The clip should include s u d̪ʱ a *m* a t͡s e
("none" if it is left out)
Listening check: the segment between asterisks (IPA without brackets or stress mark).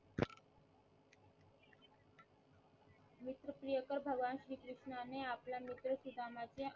m